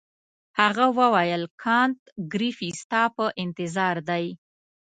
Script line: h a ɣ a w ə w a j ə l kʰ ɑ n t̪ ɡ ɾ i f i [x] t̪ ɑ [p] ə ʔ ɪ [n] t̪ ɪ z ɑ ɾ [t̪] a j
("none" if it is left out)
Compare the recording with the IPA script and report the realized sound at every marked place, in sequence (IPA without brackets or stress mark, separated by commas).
s, p, n, d̪